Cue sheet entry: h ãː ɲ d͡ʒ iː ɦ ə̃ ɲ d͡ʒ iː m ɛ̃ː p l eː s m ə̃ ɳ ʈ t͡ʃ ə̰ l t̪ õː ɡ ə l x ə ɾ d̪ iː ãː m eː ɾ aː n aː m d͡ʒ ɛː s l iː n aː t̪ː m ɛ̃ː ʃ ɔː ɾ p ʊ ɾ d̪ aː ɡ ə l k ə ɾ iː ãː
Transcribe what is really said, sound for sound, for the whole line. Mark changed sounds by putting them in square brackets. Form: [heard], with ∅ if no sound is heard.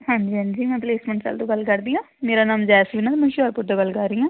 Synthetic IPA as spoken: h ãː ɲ d͡ʒ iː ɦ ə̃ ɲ d͡ʒ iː m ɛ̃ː p l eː s m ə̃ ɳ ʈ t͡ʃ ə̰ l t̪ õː ɡ ə l [k] ə ɾ d̪ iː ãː m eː ɾ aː n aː m d͡ʒ ɛː s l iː n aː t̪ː m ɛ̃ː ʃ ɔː ɾ p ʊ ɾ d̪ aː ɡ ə l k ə ɾ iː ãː